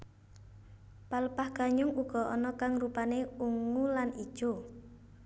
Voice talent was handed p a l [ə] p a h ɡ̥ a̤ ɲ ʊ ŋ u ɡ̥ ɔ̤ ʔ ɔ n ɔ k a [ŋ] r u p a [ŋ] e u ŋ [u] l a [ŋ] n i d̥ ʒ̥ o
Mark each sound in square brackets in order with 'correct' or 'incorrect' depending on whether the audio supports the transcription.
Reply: correct, correct, incorrect: n, correct, incorrect: none

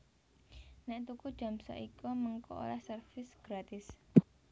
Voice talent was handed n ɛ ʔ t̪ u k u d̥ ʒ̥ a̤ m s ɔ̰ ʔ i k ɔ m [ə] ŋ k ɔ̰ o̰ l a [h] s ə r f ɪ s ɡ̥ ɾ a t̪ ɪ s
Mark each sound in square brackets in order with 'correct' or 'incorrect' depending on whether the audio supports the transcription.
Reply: correct, correct

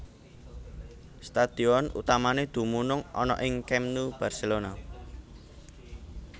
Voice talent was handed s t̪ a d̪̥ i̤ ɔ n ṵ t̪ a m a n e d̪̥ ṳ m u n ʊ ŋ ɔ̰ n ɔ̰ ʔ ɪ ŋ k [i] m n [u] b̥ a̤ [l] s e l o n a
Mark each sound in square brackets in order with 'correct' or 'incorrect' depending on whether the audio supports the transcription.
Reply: incorrect: ɛ, correct, incorrect: r

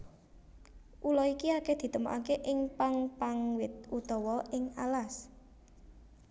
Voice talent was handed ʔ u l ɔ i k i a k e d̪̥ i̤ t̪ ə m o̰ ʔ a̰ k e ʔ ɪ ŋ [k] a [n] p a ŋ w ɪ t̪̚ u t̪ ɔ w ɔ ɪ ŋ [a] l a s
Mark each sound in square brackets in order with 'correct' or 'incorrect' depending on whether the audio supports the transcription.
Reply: incorrect: p, incorrect: ŋ, correct

